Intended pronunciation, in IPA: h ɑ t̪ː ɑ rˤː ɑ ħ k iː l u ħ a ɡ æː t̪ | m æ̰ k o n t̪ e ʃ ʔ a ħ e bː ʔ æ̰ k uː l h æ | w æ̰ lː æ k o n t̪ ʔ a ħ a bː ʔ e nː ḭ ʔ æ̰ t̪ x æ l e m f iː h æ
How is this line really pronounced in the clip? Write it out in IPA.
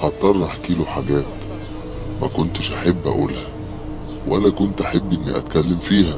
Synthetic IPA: h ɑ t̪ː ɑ rˤː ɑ ħ k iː l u ħ a ɡ æː t̪ | m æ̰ k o n t̪ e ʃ ʔ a ħ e bː ʔ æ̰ ʔ uː l h æ | w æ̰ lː æ k o n t̪ ʔ a ħ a bː ʔ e nː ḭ ʔ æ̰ t̪ k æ lː e m f iː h æ